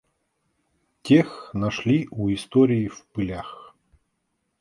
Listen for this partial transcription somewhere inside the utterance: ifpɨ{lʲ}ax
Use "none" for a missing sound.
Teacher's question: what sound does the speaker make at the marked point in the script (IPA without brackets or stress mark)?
lʲ